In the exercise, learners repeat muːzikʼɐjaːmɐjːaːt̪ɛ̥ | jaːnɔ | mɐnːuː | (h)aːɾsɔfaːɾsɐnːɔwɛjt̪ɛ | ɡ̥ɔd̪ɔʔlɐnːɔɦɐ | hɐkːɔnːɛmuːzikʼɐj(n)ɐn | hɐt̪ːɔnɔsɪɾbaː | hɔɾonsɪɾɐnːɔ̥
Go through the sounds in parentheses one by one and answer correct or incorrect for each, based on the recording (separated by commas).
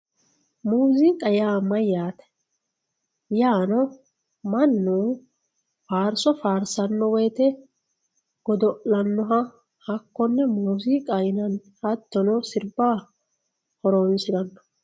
incorrect, correct